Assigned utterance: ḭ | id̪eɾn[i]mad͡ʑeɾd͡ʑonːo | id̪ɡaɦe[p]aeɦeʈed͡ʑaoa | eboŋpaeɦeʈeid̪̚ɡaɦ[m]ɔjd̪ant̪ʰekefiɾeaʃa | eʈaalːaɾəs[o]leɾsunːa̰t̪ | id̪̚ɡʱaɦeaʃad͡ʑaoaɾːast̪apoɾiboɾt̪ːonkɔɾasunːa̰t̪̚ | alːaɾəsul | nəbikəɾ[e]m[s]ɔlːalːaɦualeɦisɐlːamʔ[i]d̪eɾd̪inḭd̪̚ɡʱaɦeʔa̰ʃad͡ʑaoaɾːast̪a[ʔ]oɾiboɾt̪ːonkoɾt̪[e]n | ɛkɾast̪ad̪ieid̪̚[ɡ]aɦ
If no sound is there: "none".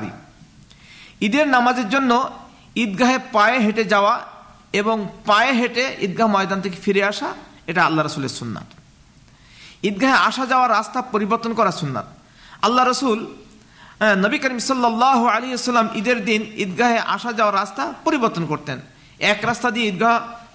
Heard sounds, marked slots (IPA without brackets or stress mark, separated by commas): a, p, m, u, i, s, i, p, e, ɡ